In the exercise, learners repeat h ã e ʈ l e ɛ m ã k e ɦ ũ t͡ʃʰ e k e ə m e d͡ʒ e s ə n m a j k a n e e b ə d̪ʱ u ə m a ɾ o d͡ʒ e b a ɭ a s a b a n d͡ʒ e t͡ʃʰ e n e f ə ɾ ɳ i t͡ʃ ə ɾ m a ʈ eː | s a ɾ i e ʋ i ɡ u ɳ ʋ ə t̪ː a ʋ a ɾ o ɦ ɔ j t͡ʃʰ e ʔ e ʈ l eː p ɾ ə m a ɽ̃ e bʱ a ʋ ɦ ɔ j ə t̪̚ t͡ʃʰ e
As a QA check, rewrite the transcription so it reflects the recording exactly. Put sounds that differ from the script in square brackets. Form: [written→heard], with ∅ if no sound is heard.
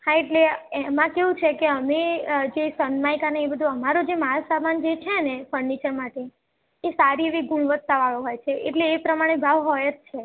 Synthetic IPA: h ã e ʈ l e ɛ m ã k e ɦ ũ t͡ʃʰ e k e ə m e d͡ʒ e s ə n m a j k a n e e b ə d̪ʱ u ə m a ɾ o d͡ʒ e [b→m] a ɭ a s a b a n d͡ʒ e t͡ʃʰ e n e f ə ɾ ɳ i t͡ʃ ə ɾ m a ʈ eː | s a ɾ i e ʋ i ɡ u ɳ ʋ ə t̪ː a ʋ a [ɾ→ɭ] o ɦ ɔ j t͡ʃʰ e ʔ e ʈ l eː p ɾ ə m a ɽ̃ e bʱ a ʋ ɦ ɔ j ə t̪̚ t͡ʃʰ e